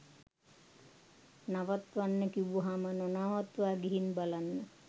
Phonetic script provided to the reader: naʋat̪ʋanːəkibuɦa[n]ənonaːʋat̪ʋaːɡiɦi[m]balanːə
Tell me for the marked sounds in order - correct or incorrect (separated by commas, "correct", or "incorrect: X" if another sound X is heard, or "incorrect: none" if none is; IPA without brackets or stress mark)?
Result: incorrect: m, incorrect: n